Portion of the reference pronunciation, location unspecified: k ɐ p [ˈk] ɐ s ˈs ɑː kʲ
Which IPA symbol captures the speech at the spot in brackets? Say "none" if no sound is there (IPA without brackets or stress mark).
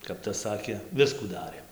t